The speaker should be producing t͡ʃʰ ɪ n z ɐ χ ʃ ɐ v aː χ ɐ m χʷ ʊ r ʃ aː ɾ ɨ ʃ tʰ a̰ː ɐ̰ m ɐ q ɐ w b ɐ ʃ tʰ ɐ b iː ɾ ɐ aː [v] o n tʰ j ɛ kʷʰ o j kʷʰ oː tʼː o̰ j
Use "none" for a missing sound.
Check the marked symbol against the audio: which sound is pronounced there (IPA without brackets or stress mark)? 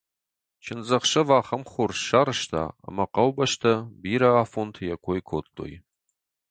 f